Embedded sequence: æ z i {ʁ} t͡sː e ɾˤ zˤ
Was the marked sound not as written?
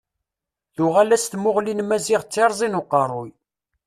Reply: no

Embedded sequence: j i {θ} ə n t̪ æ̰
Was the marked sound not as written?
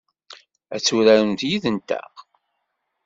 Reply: yes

